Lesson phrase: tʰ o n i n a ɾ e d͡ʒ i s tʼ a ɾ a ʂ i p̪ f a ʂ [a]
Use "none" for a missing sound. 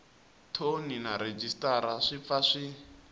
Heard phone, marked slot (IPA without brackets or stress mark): i